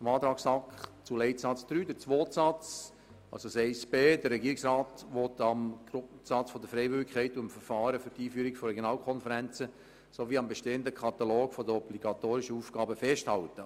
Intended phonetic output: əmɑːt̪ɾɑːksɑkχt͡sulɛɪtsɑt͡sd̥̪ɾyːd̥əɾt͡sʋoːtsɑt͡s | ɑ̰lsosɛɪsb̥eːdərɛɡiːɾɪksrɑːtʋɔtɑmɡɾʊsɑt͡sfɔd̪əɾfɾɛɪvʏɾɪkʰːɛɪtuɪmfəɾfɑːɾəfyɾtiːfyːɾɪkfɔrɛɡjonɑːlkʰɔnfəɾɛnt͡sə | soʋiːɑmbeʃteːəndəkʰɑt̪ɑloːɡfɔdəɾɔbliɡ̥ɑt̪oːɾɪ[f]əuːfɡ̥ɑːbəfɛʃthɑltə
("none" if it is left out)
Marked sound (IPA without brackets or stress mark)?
ʃ